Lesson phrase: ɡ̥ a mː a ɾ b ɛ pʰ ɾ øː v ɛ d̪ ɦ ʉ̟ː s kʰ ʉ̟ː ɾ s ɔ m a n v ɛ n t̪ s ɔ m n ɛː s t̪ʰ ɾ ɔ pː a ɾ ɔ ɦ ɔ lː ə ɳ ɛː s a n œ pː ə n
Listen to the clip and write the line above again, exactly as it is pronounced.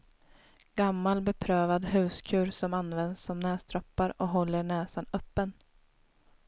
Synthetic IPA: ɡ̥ a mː a l b ɛ pʰ ɾ øː v a d̪ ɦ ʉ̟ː s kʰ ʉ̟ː ɾ s ɔ m a n v ɛ n d̪ s ɔ m n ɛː s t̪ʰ ɾ ɔ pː a ɾ ɔ ɦ ɔ lː ə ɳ ɛː s a n œ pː ə n

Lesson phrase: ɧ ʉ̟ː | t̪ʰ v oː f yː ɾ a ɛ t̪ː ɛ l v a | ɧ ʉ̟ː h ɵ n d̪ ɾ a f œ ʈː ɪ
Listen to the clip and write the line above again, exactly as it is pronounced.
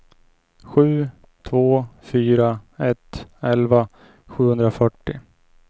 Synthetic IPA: ɧ ʉ̟ː | t̪ʰ v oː f yː ɾ a ɛ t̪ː ɛ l v a | ɧ ʉ̟ː h ɵ n d̪ ɾ a f œ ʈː ɪ

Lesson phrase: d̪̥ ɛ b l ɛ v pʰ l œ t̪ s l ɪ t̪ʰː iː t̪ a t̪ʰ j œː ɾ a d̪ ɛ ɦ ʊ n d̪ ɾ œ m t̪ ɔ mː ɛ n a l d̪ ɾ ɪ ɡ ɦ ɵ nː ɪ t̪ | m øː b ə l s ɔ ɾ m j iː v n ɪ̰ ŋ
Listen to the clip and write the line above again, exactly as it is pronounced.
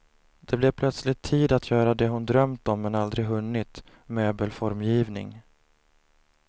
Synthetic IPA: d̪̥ ɛ b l ɛ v pʰ l œ t̪ s l ɪ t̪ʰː iː d̪ a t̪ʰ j œː ɾ a d̪ ɛ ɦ ʊ n d̪ ɾ œ m t̪ ɔ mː ɛ n a l d̪ ɾ ɪ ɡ ɦ ɵ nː ɪ t̪ | m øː b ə l f ɔ ɾ m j iː v n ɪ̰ ŋ

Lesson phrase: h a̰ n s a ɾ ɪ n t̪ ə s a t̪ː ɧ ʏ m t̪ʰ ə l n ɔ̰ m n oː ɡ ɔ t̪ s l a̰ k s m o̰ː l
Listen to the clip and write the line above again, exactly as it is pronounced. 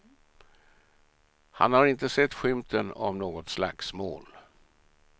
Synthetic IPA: h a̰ n h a ɾ ɪ n t̪ ə s ɛ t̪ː ɧ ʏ m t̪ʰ ə n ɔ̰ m n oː ɡ ɔ t̪ s l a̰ k s m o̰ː l

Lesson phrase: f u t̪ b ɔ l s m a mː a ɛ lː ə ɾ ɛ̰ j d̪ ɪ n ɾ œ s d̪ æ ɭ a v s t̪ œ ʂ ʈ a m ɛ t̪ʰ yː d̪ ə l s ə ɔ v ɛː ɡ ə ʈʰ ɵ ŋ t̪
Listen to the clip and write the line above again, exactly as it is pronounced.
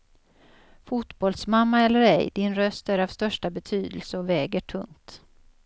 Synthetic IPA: f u t̪ b ɔ l s m a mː a ɛ lː ə ɾ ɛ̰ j d̪ ɪ n ɾ œ s t̪ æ ɾ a v s t̪ œ ʂ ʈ a b ɛ t̪ʰ yː d̪ ə l s ə ɔ v ɛː ɡ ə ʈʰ ɵ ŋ t̪

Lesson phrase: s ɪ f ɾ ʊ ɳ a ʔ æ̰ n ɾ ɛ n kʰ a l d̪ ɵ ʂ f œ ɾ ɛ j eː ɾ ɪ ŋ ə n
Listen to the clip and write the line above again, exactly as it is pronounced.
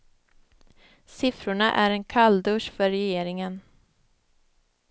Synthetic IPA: s ɪ f ɾ ʊ ɳ a ʔ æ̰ ɾ ɛ n kʰ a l d̪ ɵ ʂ f œ ɾ ɛ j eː ɾ ɪ ŋ ə n

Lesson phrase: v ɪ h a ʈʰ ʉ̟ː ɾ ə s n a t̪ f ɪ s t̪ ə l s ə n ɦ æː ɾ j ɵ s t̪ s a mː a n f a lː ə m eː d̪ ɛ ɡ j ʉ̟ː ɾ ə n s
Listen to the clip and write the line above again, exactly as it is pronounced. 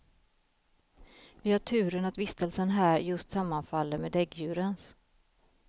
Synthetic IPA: v ɪ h a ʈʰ ʉ̟ː ɾ ə n a t̪ v ɪ s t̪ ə l s ə n ɦ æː ɾ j ɵ s t̪ s a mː a n f a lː ə m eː d̪ ɛ ɡ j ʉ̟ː ɾ ə n s

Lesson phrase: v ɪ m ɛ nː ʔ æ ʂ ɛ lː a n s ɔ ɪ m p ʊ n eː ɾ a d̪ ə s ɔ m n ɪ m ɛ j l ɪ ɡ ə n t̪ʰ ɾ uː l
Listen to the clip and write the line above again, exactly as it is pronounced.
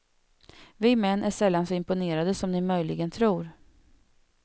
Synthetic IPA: v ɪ m ɛ nː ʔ æ ʂ ɛ lː a n s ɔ ɪ m p ʊ n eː ɾ a d̪ ə s ɔ m n ɪ m œ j l ɪ ɡ ə n t̪ʰ ɾ uː ɾ

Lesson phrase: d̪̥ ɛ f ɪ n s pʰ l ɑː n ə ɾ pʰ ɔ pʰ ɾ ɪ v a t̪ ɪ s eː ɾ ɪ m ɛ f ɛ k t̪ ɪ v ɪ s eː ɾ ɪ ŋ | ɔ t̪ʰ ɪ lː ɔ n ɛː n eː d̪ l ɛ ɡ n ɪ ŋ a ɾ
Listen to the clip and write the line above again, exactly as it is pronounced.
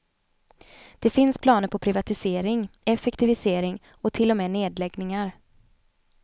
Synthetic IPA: d̪̥ ɛ f ɪ n s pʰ l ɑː n ə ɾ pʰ ɔ pʰ ɾ ɪ v a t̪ ɪ s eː ɾ ɪ ŋ ɛ f ɛ k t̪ ɪ v ɪ s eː ɾ ɪ ŋ | ɔ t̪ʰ ɪ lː ɔ m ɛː n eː d̪ l ɛ ɡ n ɪ ŋ a ɾ

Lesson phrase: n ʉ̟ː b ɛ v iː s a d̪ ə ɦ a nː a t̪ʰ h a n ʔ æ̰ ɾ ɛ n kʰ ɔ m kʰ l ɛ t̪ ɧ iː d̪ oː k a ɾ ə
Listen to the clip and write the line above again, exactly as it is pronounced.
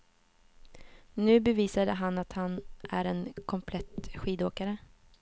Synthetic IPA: n ʉ̟ː b ɛ v iː s a d̪ ə ɦ a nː a t̪ h a n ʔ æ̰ ɾ ɛ n kʰ ɔ m pʰ l ɛ t̪ ɧ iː d̪ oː k a ɾ ə

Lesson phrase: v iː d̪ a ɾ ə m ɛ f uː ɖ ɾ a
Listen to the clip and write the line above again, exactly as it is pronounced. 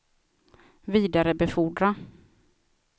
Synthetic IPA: v iː d̪ a ɾ ə b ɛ f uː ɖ ɾ a

